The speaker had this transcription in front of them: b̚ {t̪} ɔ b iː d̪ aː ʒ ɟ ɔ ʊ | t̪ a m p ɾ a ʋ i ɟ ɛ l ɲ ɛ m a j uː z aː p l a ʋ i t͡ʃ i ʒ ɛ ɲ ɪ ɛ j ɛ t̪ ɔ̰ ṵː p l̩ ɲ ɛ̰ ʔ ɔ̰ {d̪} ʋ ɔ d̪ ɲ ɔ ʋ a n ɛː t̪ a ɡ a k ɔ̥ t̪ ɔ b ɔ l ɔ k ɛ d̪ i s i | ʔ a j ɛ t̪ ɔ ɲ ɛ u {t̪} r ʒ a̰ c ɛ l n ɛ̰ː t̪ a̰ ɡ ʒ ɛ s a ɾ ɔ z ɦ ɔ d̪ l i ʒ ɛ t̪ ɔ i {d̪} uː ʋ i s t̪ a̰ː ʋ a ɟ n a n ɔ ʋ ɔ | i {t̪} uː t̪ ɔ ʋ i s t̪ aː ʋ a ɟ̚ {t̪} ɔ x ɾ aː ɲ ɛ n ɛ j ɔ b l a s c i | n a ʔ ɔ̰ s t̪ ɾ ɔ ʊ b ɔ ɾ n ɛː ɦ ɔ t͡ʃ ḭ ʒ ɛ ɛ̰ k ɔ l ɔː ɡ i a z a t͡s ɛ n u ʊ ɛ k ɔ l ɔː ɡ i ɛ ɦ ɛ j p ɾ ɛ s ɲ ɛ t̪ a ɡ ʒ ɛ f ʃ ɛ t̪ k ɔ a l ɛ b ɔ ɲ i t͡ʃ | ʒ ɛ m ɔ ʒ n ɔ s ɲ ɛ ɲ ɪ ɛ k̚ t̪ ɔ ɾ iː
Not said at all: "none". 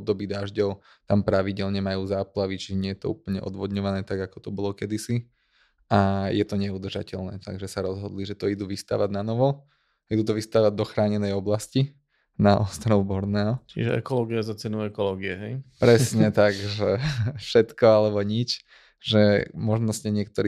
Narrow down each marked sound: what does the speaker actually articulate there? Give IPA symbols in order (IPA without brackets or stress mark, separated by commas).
d̪, d̪, d̪, d̪, d̪, d̪